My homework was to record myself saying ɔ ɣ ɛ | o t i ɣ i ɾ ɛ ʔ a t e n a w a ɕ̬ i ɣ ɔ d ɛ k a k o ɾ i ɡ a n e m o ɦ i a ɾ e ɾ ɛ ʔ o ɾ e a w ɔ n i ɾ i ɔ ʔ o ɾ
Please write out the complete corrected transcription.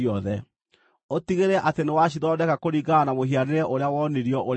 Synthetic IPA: ɔ ð ɛ | o t i ɣ e ɾ ɛ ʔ a t e n e w a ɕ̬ i ð ɔ d ɛ k a k o ɾ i ɡ a n a m o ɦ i a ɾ e ɾ ɛ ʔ o ɾ e a w ɔ n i ɾ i ɔ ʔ o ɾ